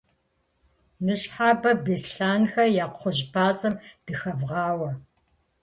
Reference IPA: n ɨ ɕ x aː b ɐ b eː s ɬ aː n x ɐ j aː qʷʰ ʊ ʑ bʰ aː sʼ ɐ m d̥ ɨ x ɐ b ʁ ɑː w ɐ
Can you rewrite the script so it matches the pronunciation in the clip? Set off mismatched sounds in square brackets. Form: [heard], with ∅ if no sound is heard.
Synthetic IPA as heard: n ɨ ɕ [ħ] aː b ɐ b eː s ɬ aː n x ɐ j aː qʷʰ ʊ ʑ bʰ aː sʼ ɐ m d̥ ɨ x ɐ [v] ʁ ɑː w ɐ